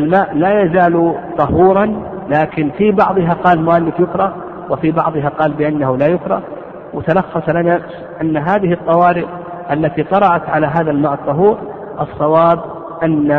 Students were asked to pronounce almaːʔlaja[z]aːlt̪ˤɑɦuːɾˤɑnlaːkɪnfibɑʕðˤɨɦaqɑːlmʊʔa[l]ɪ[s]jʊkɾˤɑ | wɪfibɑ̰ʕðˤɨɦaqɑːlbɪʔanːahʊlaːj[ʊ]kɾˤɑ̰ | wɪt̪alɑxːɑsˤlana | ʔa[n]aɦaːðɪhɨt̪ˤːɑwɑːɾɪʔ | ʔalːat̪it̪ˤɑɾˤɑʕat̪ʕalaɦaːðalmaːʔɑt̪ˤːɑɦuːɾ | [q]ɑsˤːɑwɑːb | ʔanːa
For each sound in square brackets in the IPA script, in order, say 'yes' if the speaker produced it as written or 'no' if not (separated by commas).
yes, no, no, yes, no, no